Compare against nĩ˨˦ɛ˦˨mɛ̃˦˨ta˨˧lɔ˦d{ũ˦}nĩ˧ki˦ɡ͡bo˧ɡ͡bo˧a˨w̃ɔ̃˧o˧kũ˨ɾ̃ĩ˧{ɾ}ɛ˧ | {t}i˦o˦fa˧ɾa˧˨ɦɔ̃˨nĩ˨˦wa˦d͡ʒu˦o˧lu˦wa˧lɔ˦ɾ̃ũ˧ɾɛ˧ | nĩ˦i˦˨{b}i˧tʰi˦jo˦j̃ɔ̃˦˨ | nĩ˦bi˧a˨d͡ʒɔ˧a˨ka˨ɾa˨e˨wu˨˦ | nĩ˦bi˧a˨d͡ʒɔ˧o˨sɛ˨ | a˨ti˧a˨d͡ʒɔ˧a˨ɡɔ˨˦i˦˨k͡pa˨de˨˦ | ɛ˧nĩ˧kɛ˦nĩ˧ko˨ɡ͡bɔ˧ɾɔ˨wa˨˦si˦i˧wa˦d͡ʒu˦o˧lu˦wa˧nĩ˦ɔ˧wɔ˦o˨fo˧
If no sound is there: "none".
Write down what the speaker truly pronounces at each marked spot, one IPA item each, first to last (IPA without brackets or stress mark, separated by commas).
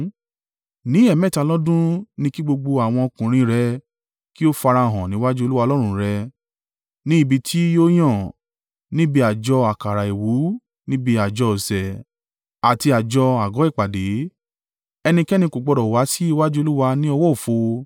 ũ˦, ɾ, k, b